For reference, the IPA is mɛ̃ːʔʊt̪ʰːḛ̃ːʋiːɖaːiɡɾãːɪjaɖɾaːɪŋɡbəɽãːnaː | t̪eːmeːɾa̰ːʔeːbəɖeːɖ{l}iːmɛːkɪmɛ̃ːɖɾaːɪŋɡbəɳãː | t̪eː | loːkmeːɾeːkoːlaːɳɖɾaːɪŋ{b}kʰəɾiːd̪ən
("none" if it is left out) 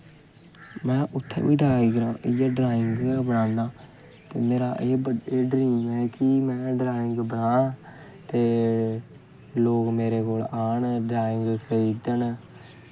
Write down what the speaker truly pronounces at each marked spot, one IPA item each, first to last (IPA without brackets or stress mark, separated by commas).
ɾ, ɡ